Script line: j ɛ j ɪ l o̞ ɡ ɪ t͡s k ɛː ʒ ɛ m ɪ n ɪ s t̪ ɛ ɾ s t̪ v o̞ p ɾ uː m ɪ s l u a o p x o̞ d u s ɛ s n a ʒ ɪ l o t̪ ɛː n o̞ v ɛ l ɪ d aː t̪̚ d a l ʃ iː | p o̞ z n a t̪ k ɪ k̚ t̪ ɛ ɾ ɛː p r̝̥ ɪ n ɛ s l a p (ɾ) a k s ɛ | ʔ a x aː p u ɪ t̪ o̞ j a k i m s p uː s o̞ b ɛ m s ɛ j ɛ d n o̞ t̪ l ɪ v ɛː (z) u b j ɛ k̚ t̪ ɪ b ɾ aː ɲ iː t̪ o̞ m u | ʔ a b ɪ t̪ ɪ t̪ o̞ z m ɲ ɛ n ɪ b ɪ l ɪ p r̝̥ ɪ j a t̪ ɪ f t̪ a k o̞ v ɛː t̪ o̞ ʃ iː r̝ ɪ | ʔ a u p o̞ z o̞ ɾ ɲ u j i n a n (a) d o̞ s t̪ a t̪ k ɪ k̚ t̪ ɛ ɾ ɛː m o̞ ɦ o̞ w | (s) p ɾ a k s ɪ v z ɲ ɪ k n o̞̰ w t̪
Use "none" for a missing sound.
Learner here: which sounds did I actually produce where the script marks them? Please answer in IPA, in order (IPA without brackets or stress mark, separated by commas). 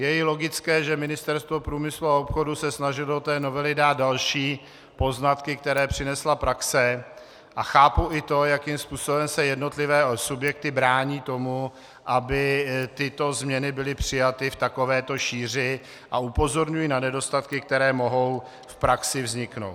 ɾ, s, ɛ, f